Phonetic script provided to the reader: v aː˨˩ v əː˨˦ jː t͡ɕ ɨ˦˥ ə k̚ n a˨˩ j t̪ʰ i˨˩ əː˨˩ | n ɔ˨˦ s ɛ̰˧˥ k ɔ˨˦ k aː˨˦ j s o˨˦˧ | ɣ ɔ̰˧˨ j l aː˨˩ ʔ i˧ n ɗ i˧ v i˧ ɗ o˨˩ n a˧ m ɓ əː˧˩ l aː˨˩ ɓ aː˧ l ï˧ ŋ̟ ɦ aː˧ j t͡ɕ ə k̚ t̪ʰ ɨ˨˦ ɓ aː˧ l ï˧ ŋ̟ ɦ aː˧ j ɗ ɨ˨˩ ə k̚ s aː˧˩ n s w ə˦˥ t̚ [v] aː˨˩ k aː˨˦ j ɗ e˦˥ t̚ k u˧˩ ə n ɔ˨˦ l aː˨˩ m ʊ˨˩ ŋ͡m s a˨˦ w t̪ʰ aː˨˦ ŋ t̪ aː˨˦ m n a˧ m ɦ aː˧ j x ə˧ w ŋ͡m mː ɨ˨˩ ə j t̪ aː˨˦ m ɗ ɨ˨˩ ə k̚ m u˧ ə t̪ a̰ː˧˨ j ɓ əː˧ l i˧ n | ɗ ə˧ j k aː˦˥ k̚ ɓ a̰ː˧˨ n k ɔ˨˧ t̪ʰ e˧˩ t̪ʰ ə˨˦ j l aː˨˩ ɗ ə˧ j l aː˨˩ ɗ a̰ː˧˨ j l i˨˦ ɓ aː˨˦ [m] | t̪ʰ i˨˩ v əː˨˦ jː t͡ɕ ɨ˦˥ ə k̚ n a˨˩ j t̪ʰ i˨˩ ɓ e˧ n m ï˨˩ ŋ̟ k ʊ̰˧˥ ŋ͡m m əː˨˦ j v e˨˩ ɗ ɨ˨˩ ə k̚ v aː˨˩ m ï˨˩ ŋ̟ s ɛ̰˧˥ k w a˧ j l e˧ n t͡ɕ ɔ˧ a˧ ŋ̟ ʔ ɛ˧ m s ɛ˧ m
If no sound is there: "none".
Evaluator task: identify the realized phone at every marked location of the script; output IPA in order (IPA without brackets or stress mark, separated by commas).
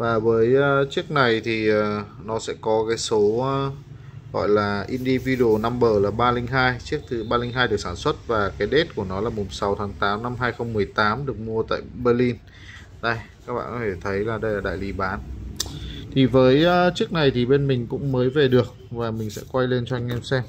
v, n